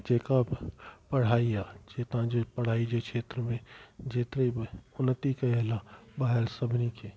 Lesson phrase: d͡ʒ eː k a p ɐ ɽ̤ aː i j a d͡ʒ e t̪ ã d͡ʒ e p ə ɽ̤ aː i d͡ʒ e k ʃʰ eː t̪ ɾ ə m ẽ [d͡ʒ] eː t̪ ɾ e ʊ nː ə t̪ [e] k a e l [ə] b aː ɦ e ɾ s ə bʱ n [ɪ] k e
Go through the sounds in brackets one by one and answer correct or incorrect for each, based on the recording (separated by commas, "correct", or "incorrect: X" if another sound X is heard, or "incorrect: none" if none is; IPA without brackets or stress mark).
correct, incorrect: i, incorrect: a, incorrect: i